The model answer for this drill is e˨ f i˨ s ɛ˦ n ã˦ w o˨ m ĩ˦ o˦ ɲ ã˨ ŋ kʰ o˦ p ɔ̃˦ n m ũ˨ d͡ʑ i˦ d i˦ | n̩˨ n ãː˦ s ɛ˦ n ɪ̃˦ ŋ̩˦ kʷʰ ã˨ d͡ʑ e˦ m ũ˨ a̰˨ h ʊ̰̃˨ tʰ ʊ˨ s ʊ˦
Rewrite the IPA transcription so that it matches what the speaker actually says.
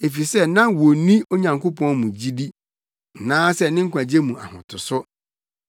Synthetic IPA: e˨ f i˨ s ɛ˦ n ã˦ w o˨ n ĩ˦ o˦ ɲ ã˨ ŋ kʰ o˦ p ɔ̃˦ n m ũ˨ d͡ʑ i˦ d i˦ | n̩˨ n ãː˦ s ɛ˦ n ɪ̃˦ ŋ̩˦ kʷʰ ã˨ d͡ʑ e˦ m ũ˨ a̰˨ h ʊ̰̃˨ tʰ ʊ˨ s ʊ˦